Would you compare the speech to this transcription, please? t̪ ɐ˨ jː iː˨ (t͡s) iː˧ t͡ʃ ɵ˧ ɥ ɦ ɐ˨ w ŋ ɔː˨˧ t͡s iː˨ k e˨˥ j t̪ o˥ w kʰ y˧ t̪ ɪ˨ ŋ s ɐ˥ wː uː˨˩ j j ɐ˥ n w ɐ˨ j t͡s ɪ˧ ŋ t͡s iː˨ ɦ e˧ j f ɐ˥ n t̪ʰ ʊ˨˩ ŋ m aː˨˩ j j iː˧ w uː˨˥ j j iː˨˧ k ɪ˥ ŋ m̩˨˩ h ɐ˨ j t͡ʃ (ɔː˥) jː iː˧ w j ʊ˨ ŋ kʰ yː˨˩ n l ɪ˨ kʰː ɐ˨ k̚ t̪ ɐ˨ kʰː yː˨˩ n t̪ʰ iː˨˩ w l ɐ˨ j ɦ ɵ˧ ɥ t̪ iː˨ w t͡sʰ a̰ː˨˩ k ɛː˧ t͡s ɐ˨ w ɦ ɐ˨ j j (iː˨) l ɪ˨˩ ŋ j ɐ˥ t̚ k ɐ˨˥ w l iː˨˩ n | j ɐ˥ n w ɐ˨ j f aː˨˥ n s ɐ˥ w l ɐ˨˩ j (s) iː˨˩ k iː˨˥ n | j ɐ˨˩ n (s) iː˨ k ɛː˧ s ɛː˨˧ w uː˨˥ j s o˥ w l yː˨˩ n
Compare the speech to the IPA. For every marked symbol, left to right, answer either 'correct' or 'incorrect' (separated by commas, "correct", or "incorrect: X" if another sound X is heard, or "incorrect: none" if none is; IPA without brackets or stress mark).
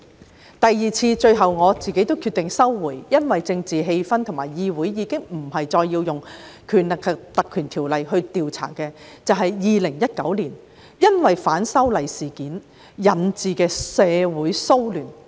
incorrect: t͡sʰ, incorrect: ɔː˧, correct, correct, incorrect: t͡s